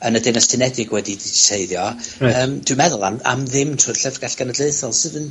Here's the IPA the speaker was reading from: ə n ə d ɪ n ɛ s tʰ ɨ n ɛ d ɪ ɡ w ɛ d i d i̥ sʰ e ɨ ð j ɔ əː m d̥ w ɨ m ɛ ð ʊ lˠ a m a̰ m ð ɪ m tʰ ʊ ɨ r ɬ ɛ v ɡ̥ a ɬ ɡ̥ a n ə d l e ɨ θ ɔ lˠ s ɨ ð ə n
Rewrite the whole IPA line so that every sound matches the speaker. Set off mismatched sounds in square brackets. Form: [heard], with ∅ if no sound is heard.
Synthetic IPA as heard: ə n ə d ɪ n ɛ s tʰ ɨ n ɛ d ɪ ɡ w ɛ d i d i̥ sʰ e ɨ ð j ɔ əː m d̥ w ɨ m ɛ ð ʊ lˠ a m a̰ m ð ɪ m tʰ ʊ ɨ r ɬ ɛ v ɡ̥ a ɬ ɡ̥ a n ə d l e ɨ θ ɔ lˠ s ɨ ð ə n